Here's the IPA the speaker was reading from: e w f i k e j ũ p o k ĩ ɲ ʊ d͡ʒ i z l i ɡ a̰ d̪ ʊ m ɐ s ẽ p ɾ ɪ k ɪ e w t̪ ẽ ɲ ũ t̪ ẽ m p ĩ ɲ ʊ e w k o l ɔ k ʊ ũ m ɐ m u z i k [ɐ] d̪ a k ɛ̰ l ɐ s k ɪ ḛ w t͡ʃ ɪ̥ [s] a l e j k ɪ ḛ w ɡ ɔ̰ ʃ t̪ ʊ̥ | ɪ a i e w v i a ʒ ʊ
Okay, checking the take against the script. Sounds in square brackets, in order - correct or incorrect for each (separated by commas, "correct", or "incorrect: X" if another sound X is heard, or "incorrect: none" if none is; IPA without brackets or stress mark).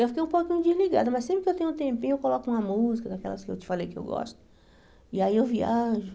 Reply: correct, incorrect: f